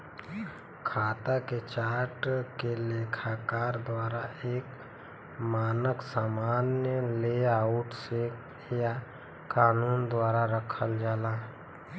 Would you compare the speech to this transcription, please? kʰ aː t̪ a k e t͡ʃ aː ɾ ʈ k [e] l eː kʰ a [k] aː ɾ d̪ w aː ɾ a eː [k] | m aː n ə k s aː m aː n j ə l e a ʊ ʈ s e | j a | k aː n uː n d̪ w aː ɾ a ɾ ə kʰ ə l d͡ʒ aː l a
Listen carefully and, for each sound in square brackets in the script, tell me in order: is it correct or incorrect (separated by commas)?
correct, correct, correct